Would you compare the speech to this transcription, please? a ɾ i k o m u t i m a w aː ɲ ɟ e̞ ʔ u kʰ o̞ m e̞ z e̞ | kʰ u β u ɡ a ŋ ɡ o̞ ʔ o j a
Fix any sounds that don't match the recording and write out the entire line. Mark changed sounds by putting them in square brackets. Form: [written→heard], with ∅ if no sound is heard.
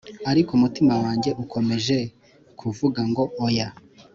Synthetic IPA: a ɾ i k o m u t i m a w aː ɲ ɟ e̞ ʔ u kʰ o̞ m e̞ [z→ʒ] e̞ | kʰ u [β→v] u ɡ a ŋ ɡ o̞ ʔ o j a